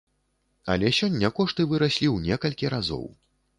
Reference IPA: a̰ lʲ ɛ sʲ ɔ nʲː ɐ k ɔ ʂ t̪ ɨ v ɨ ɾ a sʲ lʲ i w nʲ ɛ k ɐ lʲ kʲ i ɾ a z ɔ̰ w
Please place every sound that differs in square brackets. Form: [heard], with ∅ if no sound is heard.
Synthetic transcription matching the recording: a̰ lʲ ɛ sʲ ɔ nʲː ɐ k ɔ ʂ t̪ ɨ v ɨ ɾ a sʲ lʲ i w nʲ ɛ k ɐ lʲ kʲ i ɾ a z ɔ̰ w